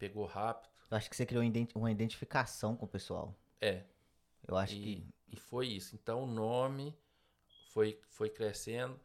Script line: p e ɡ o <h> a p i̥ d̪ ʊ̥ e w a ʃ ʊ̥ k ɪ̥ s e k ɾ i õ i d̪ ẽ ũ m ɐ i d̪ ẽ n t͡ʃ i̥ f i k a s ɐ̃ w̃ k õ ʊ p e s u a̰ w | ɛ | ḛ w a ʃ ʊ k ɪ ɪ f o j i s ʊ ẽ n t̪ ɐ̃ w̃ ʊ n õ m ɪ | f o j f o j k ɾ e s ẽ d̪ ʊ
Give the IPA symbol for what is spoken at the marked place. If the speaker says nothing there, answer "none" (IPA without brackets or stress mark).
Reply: h